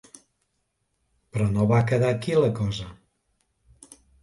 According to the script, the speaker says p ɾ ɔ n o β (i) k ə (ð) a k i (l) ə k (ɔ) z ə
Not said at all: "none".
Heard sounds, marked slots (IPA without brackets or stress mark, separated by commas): a, ð, l, ɔ